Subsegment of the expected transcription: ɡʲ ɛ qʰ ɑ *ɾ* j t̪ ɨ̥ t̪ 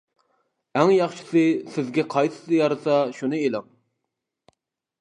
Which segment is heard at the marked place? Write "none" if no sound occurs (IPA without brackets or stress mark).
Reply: none